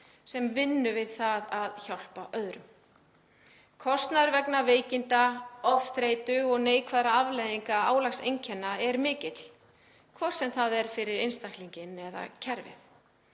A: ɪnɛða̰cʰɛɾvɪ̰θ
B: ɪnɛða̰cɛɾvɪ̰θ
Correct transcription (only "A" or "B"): A